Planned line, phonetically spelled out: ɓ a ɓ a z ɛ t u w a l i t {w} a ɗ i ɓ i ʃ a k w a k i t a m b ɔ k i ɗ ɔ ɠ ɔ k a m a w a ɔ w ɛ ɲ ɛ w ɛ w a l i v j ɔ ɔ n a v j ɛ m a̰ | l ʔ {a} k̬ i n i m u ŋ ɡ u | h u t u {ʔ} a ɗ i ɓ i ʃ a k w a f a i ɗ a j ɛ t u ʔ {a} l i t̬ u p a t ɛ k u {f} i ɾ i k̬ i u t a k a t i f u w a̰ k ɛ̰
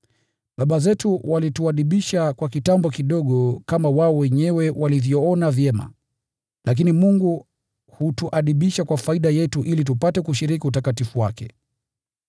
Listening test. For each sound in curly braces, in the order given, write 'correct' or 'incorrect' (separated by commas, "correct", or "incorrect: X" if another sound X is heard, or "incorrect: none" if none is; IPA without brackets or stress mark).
incorrect: u, correct, correct, incorrect: i, incorrect: ʃ